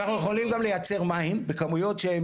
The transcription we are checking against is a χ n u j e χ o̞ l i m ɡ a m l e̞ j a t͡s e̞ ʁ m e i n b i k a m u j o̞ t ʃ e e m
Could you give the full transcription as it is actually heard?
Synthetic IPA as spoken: a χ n u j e χ o̞ l i m ɡ a m l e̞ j a t͡s e̞ ʁ m a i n b e k a m u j o̞ t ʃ e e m